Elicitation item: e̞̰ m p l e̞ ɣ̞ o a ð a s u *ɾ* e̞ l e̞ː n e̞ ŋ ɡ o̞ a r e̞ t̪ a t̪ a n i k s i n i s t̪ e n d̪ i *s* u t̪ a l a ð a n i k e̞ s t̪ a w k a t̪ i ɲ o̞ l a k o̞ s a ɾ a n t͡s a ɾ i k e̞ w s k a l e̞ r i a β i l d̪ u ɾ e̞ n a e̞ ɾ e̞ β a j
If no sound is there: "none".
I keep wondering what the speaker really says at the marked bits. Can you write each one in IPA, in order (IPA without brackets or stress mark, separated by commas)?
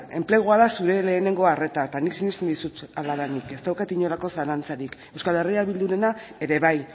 ɾ, s